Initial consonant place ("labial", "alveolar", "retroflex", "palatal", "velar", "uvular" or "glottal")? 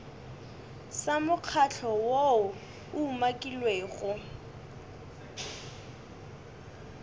alveolar